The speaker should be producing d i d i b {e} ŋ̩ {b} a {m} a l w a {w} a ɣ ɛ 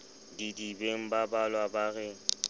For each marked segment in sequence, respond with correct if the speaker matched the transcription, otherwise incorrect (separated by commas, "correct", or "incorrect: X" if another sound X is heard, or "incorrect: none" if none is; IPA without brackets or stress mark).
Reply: correct, correct, incorrect: b, incorrect: b